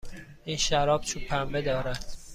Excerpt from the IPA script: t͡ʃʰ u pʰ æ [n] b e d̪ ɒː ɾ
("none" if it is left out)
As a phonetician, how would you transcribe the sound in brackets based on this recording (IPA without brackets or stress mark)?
m